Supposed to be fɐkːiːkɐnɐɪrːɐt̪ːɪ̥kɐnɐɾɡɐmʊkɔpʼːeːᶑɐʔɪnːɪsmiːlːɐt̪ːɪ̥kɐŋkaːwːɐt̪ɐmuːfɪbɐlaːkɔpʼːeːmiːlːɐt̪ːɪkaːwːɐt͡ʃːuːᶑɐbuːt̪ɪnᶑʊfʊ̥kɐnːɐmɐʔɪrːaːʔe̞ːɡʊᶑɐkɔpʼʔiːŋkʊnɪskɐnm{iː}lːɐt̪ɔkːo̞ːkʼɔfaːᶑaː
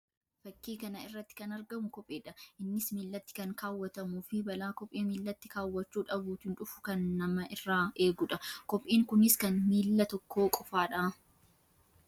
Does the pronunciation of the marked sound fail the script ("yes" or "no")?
no